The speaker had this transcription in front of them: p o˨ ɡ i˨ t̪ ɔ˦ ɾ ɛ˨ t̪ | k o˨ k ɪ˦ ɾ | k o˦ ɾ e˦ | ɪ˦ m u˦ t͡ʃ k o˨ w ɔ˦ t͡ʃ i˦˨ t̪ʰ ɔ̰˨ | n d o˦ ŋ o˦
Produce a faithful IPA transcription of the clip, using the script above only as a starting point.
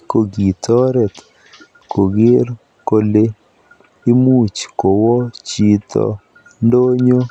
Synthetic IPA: k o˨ ɡ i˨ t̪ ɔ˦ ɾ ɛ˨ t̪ | k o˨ ɡ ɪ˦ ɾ | k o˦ l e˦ | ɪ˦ m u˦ t͡ʃ k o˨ w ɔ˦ t͡ʃ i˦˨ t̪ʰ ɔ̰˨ | n d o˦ ɲ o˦